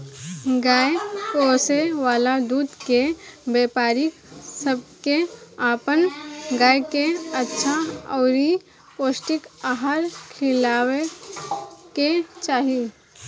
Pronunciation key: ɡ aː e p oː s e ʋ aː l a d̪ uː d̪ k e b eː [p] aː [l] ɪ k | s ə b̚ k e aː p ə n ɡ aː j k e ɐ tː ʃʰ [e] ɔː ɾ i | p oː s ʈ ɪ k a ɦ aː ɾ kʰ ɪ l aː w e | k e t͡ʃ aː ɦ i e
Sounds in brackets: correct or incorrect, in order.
correct, incorrect: ɾ, incorrect: a

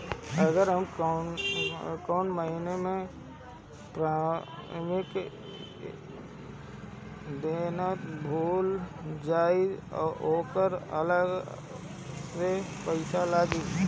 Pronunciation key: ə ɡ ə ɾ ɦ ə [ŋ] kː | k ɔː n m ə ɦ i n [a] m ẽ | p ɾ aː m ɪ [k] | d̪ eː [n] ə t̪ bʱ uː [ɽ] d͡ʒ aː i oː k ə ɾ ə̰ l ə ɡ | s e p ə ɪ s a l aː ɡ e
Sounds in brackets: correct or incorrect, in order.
incorrect: m, incorrect: e, correct, correct, incorrect: l

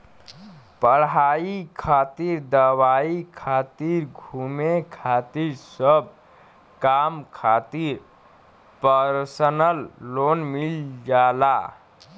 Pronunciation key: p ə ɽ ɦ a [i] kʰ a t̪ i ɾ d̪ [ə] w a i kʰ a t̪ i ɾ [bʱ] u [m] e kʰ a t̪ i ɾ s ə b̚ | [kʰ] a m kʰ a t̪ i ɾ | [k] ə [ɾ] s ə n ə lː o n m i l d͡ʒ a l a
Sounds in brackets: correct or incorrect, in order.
correct, correct, incorrect: ɡʱ, correct, incorrect: k, incorrect: p, correct

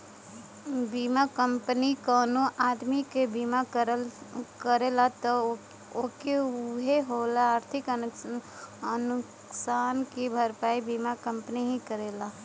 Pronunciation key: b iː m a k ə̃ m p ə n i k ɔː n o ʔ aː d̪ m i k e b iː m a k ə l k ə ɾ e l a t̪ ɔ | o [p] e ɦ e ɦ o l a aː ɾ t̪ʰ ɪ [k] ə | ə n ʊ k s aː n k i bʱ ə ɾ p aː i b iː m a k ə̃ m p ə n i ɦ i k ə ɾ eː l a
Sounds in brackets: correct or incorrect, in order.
incorrect: k, correct

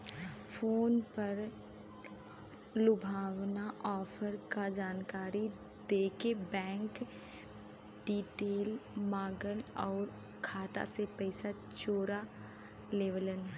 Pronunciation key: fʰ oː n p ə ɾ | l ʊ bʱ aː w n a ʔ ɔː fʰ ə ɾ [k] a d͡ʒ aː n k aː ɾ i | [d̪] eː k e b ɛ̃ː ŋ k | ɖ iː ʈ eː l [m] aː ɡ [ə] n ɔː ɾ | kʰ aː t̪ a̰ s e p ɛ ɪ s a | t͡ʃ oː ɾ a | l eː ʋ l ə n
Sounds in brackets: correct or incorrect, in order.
correct, correct, correct, correct

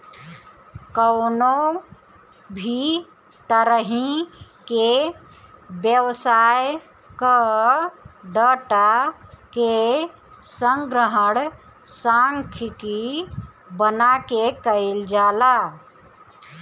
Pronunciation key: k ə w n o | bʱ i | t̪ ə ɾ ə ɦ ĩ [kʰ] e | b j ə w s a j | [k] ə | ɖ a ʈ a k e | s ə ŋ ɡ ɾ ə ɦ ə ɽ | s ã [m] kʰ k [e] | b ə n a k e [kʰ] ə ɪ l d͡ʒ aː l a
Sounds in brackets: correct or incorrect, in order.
incorrect: k, correct, incorrect: ŋ, incorrect: i, incorrect: k

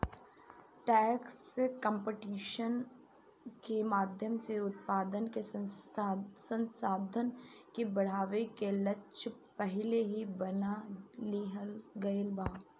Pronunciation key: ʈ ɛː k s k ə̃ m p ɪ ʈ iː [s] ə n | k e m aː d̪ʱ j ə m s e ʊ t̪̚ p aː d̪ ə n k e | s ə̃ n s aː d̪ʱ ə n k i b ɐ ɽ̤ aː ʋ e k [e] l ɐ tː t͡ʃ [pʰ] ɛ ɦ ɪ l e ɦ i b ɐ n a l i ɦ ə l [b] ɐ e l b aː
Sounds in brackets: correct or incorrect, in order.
incorrect: ʃ, correct, incorrect: p, incorrect: ɡ

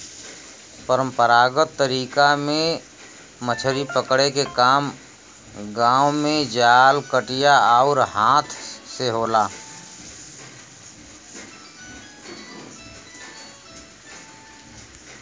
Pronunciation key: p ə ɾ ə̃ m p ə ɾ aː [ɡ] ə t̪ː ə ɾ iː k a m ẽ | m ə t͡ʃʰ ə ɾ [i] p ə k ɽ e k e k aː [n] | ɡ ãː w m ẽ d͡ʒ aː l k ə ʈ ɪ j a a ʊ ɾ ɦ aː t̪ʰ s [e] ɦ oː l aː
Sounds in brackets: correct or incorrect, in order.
correct, correct, incorrect: m, correct

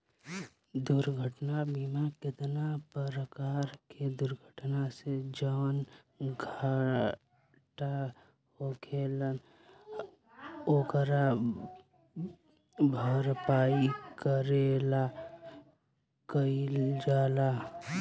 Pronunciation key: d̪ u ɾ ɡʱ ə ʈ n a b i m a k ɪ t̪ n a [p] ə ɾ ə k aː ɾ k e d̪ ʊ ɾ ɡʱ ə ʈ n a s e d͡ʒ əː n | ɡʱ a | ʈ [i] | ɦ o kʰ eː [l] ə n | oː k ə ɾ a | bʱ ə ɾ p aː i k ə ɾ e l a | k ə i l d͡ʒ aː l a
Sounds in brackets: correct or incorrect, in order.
correct, incorrect: a, correct

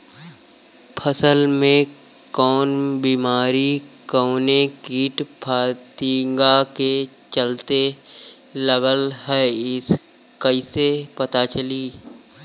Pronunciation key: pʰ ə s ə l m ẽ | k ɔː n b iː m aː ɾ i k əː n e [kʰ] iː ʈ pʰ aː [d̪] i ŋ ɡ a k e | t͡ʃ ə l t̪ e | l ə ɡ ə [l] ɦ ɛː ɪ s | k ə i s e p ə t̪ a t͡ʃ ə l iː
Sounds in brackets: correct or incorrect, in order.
incorrect: k, incorrect: t̪, correct

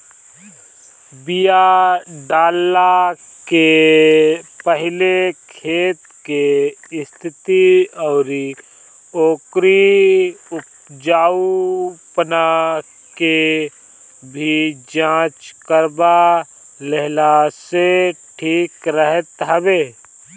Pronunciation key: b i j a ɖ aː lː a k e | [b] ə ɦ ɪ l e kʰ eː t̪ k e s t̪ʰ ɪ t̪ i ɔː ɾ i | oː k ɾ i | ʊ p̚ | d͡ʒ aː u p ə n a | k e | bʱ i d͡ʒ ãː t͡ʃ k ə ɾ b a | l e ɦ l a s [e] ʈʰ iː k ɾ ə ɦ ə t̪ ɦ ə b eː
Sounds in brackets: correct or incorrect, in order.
incorrect: p, correct

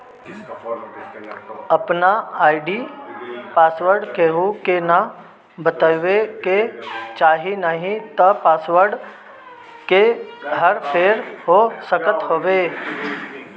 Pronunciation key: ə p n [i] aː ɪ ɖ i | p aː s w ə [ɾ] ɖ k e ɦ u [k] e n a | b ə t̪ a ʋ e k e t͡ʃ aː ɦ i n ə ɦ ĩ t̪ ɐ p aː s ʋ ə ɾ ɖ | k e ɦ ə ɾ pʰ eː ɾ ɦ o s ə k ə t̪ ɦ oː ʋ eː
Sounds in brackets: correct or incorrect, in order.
incorrect: a, correct, correct

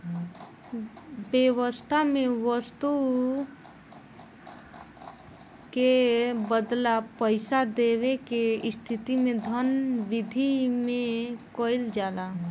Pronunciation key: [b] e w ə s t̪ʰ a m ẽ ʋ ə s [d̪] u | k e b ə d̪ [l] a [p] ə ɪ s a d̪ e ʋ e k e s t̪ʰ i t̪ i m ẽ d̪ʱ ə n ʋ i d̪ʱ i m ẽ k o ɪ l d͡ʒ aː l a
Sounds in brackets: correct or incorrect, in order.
correct, incorrect: t̪, correct, correct

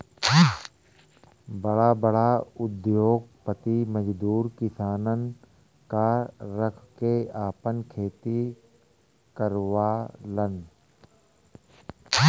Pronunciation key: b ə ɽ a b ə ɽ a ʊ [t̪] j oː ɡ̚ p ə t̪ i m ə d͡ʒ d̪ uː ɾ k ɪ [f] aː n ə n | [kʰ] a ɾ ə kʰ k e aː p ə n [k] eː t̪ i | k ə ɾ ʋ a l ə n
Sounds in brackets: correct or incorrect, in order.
incorrect: d̪, incorrect: s, incorrect: k, incorrect: kʰ

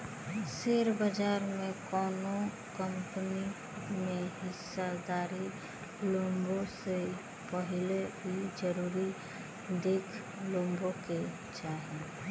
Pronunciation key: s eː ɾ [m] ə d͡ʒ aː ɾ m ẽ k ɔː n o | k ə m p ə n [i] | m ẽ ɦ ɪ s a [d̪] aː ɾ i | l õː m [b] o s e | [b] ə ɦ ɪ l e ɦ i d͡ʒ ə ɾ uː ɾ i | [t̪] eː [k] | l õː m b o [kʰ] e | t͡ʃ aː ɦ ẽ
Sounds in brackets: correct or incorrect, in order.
incorrect: b, correct, correct, correct, incorrect: p, incorrect: d̪, incorrect: kʰ, incorrect: k

